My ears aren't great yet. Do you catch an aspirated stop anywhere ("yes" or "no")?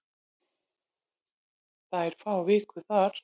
no